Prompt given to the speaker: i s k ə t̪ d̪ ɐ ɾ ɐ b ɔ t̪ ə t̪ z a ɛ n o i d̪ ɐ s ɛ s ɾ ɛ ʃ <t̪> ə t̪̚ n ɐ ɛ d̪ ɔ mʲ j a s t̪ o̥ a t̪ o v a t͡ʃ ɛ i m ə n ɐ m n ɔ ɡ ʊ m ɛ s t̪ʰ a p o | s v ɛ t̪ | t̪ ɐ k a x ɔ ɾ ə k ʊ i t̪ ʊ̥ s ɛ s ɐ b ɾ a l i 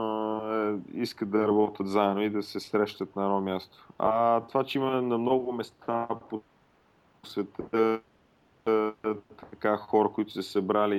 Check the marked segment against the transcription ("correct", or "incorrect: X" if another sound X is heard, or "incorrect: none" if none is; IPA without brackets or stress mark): correct